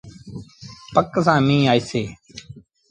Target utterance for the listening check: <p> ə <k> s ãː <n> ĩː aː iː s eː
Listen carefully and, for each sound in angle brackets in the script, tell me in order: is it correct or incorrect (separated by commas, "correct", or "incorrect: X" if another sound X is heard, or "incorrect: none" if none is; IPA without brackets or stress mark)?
correct, correct, incorrect: m